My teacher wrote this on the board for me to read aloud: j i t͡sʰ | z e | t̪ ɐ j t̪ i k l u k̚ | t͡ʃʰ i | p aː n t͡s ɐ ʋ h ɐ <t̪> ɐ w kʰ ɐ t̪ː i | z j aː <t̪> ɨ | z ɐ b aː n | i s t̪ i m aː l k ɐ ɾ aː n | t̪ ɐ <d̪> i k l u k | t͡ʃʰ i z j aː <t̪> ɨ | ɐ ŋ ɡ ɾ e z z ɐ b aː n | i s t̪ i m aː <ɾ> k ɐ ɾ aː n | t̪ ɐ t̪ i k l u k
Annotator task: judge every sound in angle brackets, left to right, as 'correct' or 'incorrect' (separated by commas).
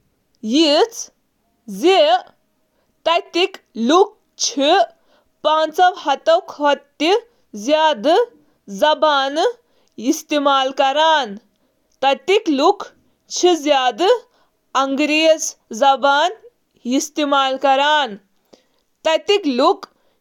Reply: correct, incorrect, incorrect, incorrect, incorrect